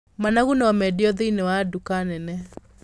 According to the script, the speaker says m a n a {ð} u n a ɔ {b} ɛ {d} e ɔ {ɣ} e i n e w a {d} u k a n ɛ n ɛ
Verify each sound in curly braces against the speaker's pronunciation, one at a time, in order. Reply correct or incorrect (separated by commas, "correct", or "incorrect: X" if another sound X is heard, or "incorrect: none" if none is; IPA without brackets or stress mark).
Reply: incorrect: ɣ, incorrect: m, correct, incorrect: ð, correct